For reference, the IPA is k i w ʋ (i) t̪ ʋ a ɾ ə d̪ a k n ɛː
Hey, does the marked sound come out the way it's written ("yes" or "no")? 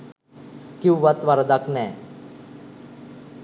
no